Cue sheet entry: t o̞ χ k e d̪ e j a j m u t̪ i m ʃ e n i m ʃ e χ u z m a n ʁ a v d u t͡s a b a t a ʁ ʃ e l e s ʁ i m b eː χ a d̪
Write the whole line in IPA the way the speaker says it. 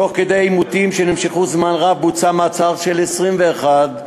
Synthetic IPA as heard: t o̞ χ k e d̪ e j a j m u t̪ i m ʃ e n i m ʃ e χ u z m a n ʁ a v b u t͡s a m a t͡s a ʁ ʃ e l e s ʁ i m v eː χ a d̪